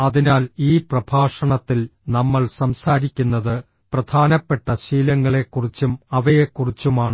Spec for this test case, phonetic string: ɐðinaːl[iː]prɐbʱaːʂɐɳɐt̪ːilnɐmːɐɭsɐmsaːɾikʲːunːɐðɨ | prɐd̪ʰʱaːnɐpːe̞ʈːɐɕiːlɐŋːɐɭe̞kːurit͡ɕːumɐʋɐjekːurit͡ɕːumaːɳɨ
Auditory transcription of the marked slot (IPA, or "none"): iː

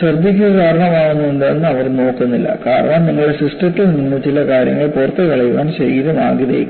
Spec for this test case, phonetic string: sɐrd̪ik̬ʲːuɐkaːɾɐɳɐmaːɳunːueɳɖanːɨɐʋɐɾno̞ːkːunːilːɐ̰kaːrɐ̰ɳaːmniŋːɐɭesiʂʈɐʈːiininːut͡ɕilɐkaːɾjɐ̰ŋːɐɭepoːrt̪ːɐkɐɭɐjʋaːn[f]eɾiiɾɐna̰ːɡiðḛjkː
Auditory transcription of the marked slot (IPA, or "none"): ɕ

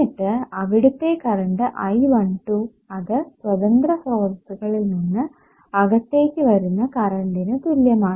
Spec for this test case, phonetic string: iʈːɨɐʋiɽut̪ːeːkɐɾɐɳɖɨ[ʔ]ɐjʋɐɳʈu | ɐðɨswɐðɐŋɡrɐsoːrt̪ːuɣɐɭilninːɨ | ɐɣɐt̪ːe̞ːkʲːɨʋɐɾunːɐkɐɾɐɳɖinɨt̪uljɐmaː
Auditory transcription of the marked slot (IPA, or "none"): ʔ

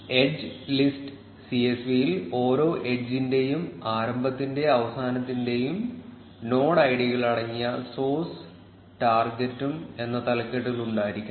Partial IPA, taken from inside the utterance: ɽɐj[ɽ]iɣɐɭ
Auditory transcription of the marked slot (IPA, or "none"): ɽ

